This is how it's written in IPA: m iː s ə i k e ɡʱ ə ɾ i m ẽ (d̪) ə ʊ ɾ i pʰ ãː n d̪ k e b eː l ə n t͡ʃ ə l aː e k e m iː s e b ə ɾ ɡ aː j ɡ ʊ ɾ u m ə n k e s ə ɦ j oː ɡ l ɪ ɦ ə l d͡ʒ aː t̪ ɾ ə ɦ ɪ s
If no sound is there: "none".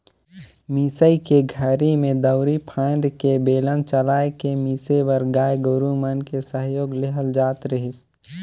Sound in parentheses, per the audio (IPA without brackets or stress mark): d̪